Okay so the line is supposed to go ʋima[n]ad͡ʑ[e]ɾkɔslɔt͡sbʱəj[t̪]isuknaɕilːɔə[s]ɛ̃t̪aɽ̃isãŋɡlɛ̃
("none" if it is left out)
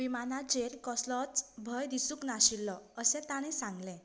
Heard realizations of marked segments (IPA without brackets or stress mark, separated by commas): n, e, d̪, s